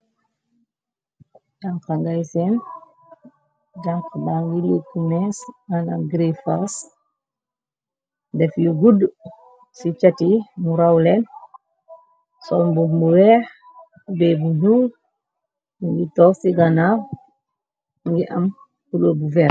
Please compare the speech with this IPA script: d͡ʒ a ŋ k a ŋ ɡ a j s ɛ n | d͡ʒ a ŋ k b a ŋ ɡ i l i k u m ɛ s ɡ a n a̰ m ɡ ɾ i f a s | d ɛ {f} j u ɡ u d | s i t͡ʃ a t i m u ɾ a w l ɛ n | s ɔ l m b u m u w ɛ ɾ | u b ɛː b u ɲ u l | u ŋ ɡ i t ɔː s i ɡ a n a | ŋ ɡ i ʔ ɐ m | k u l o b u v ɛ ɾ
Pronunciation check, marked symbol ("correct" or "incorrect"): correct